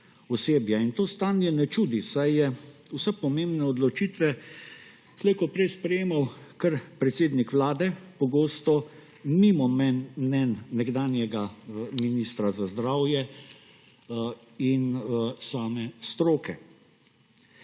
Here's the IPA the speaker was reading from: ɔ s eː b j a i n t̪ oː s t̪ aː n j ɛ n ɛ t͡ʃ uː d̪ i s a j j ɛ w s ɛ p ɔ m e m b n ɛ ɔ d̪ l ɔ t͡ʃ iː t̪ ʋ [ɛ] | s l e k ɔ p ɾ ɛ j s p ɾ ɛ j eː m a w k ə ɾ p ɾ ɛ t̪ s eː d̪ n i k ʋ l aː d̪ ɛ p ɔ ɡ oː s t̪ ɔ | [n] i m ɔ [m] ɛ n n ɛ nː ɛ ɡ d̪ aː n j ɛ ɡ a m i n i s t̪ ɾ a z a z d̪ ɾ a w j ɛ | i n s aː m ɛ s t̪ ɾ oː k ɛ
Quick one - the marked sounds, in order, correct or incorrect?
correct, incorrect, correct

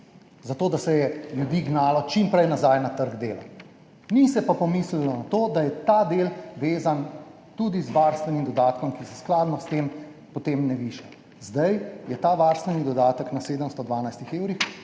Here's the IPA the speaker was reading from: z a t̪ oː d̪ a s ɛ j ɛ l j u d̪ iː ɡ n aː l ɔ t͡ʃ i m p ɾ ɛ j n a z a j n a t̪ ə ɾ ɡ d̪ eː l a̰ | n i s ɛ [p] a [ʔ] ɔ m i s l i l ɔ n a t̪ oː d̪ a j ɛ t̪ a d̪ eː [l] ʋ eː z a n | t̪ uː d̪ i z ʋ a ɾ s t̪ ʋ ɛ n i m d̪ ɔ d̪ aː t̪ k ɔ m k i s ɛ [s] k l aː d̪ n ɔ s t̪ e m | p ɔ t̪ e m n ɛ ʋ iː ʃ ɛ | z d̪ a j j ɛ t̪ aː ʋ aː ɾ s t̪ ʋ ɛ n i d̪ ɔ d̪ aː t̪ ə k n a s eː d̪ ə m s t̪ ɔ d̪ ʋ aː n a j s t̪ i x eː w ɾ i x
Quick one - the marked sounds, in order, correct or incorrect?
correct, incorrect, correct, correct

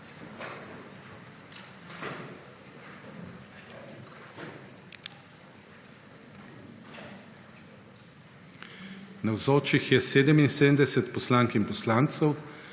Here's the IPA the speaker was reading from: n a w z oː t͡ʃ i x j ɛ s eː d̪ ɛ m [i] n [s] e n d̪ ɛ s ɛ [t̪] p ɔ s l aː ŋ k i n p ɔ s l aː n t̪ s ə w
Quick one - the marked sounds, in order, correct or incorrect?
correct, correct, correct

